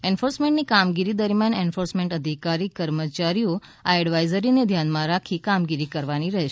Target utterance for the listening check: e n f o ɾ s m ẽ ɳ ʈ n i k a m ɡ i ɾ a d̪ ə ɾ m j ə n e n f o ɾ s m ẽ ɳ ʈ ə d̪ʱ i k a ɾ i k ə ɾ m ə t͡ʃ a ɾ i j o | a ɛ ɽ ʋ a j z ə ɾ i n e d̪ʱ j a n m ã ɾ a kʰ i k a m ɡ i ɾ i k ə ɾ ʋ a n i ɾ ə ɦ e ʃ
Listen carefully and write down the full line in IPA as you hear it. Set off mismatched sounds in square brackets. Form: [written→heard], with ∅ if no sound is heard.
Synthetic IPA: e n f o ɾ s m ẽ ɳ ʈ n i k a m ɡ i ɾ [a→i] d̪ ə ɾ m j [ə→a] n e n f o ɾ s m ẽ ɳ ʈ ə d̪ʱ i k a ɾ i k ə ɾ m ə t͡ʃ a ɾ i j o | a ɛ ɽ ʋ a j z ə ɾ i n e d̪ʱ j a n m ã ɾ a kʰ i k a m ɡ i ɾ i k ə ɾ ʋ a n i ɾ ə ɦ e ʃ